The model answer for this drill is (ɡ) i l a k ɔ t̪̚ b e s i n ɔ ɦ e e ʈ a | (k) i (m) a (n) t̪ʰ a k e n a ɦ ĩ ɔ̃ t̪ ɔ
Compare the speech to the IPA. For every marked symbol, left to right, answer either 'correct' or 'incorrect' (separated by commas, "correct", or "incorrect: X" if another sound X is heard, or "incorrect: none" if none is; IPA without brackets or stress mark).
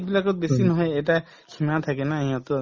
incorrect: b, incorrect: kʰ, correct, incorrect: none